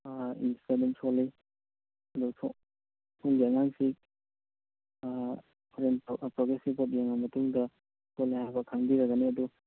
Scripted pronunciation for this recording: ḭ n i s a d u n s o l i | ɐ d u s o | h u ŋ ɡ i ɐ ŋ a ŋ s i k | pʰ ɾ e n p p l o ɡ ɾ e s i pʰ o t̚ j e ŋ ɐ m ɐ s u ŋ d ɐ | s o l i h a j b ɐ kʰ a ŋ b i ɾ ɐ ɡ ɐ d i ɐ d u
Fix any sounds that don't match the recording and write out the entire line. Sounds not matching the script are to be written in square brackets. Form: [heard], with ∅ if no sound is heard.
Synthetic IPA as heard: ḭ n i s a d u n s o l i | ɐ d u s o | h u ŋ ɡ i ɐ ŋ a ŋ s i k | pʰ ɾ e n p p [ɾ] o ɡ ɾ e s i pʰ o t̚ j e ŋ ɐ m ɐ [t] u ŋ d ɐ | s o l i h a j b ɐ kʰ a ŋ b i ɾ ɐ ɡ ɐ [n] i ɐ d u